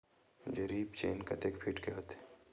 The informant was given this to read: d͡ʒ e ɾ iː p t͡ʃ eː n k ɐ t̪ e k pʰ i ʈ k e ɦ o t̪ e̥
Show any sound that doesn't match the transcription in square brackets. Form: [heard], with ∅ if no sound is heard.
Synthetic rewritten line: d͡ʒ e ɾ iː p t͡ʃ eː n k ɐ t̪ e k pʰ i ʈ k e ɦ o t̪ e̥